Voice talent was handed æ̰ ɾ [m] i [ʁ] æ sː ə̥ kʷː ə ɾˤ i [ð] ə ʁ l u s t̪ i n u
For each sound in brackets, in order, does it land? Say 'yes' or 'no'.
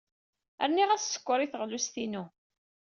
no, yes, no

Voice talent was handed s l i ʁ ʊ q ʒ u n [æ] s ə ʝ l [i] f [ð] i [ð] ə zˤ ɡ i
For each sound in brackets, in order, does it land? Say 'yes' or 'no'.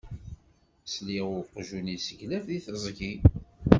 no, no, yes, no

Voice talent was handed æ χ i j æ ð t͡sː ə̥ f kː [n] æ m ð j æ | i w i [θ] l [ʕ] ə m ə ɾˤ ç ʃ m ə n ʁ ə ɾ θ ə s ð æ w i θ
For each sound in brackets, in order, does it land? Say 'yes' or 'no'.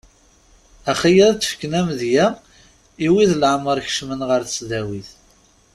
yes, no, yes

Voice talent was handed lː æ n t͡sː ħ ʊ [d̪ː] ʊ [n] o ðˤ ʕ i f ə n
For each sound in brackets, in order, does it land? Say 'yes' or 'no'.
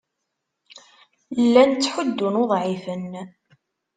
yes, yes

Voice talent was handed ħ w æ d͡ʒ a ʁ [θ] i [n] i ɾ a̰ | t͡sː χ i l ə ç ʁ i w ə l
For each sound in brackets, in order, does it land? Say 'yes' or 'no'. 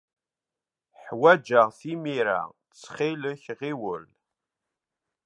yes, no

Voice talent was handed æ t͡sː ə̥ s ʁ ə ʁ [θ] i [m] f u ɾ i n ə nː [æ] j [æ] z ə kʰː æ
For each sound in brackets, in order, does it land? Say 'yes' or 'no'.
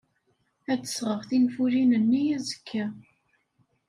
yes, no, no, yes

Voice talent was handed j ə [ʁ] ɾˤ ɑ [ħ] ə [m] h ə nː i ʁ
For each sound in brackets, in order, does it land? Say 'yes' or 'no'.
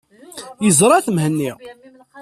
no, no, yes

